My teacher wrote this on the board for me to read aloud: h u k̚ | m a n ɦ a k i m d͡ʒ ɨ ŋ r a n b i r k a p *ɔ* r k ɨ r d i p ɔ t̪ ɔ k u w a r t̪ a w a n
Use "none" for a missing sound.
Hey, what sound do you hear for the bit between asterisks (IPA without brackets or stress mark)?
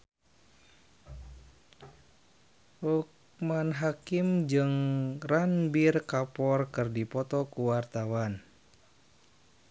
ɔ